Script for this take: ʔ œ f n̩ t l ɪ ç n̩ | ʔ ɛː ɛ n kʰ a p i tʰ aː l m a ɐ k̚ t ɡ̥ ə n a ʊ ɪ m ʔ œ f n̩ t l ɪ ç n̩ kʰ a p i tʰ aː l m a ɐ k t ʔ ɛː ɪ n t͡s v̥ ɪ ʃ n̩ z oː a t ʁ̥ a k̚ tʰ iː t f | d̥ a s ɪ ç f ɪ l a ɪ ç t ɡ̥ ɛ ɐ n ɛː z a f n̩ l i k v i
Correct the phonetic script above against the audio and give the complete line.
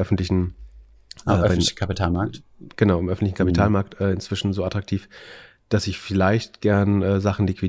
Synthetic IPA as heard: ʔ œ f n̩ t l ɪ ç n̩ | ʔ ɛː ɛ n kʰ a p i tʰ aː l m a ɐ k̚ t ɡ̥ ə n a ʊ ɪ m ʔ œ f n̩ t l ɪ ç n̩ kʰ a p i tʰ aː l m a ɐ k t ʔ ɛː ɪ n t͡s v̥ ɪ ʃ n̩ z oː a t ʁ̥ a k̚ tʰ iː f | d̥ a s ɪ ç f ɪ l a ɪ ç t ɡ̥ ɛ ɐ n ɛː z a χ n̩ l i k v i